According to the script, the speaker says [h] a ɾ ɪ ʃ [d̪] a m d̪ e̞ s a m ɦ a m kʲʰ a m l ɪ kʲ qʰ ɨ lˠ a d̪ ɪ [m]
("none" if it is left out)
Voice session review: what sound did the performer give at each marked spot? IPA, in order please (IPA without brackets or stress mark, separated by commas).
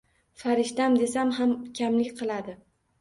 f, t̪, none